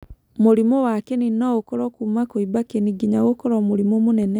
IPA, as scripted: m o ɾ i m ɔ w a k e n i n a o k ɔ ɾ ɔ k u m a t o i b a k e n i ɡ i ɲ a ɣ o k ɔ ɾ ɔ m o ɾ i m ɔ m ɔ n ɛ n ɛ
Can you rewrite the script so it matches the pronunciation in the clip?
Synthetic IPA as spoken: m o ɾ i m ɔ w a k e n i n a o k ɔ ɾ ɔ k u m a k o i b a k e n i ɡ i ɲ a ɣ o k ɔ ɾ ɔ m o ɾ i m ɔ m o n ɛ n ɛ